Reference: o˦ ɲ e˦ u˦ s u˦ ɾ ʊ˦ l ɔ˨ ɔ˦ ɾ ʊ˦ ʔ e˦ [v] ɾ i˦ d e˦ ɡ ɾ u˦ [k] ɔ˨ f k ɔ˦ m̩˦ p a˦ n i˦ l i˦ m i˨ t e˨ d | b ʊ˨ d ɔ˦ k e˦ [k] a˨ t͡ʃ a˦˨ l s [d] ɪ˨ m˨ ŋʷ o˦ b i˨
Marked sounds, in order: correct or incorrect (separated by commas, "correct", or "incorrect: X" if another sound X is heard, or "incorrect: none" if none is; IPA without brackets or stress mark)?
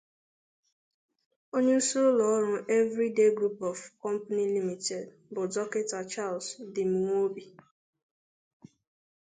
correct, incorrect: p, incorrect: t, correct